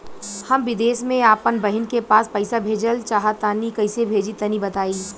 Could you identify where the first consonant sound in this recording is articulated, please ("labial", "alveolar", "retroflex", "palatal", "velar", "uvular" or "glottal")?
glottal